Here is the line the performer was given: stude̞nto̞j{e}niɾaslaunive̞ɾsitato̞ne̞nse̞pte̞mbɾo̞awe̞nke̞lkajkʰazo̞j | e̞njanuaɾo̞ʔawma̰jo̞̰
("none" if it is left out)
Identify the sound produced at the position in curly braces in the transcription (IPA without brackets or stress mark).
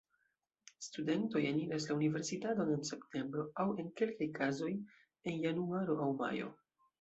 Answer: a